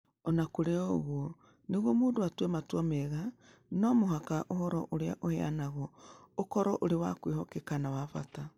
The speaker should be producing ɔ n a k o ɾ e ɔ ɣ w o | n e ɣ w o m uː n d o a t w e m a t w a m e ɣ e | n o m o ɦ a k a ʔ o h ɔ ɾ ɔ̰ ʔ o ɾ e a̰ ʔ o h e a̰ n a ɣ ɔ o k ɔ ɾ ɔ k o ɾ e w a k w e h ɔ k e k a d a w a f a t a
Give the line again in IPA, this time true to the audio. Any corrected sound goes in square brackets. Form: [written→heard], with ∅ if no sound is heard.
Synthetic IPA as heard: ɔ n a k o ɾ e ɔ ɣ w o | n e ɣ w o m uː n d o a t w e m a t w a m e ɣ [e→a] | n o m o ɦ a k a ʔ o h ɔ ɾ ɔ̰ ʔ o ɾ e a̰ ʔ o h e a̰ n a ɣ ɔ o k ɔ ɾ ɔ [k→ʔ] o ɾ e w a k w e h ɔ k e k a [d→n] a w a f a t a